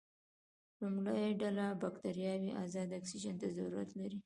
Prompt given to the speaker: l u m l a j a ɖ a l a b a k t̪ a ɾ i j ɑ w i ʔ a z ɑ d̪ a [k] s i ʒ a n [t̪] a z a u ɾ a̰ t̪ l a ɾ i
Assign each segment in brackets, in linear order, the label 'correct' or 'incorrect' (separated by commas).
correct, correct